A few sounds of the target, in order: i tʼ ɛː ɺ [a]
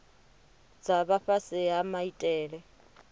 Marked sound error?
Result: yes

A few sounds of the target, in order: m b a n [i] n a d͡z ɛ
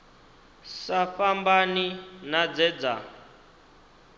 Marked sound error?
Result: no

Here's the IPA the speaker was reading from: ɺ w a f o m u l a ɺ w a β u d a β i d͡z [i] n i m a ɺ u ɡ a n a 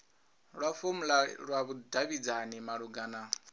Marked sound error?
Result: yes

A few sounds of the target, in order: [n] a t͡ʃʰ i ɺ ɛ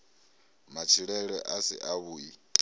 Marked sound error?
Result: yes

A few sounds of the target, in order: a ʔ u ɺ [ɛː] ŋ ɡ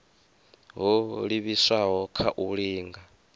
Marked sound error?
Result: yes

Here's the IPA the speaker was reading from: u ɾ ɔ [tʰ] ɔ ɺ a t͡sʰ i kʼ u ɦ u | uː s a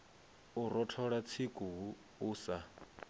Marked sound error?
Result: no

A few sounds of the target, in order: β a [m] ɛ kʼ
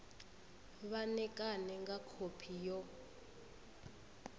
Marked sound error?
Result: yes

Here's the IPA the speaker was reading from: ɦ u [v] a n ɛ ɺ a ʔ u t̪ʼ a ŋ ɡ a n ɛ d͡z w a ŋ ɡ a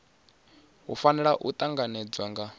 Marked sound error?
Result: yes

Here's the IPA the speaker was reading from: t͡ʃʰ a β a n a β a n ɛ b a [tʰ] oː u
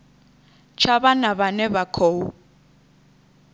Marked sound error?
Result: yes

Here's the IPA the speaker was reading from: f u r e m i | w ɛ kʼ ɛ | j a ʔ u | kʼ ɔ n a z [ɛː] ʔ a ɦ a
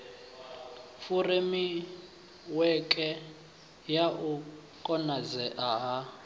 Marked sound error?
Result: yes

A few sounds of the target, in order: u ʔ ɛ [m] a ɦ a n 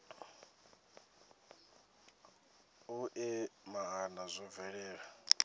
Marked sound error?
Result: no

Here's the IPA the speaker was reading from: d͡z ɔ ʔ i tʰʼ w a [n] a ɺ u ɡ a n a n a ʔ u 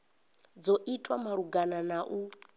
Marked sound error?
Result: yes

